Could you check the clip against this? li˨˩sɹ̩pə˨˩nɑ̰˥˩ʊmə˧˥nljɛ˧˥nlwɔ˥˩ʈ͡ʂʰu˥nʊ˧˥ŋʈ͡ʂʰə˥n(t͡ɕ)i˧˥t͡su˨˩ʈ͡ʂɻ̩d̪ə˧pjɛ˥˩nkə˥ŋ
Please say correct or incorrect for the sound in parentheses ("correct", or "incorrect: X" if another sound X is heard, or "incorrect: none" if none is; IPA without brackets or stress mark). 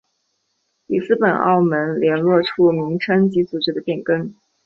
correct